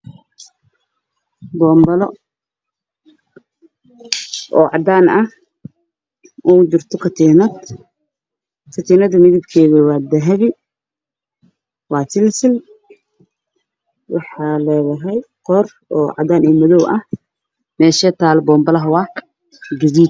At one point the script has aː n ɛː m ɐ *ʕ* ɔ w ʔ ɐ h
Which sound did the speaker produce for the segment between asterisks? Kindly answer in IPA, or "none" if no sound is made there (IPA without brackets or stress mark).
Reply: ð